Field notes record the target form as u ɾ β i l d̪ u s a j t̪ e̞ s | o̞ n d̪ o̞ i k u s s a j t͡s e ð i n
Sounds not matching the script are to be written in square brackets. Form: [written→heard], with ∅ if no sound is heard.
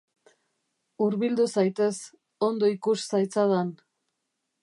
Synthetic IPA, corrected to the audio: u ɾ β i l d̪ u s a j t̪ e̞ s | o̞ n d̪ o̞ i k u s s a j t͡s [e→a] ð [i→a] n